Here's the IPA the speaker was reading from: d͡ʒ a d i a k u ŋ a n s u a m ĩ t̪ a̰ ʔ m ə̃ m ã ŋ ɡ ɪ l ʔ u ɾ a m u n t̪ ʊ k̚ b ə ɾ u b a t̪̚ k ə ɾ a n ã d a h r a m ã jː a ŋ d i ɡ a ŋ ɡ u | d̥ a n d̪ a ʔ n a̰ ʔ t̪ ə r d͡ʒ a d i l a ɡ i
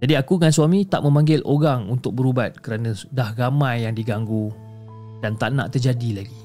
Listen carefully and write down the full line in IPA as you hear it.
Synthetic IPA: d͡ʒ a d i a k u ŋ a n s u a m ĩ t̪ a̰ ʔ m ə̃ m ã ŋ ɡ ɪ l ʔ o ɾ a ŋ u n t̪ ʊ k̚ b ə ɾ u b a t̪̚ k ə ɾ a n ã d a h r a m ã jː a ŋ d i ɡ a ŋ ɡ u | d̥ a n t̪ a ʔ n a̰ ʔ t̪ ə r d͡ʒ a d i l a ɡ i